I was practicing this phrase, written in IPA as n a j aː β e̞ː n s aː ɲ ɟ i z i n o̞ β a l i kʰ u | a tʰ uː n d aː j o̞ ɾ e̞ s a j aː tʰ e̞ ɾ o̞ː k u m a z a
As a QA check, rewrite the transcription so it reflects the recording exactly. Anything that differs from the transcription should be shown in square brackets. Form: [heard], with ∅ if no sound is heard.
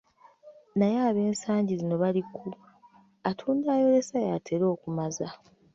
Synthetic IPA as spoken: n a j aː β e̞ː n s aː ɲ ɟ i z i n o̞ β a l i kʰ u | a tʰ uː n d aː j o̞ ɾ e̞ s a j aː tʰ e̞ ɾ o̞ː k u m a z a